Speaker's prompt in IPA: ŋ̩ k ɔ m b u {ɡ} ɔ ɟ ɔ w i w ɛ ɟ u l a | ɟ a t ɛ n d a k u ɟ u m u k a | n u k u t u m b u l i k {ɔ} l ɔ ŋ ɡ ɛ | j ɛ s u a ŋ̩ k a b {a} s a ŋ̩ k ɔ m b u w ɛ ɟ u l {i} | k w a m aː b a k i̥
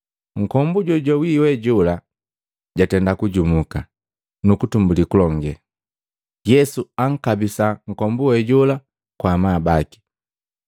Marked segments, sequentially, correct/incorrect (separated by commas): incorrect, incorrect, incorrect, incorrect